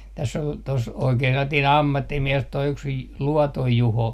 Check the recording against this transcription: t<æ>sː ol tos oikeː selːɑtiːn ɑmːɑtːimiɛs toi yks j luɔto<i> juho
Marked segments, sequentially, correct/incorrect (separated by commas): correct, incorrect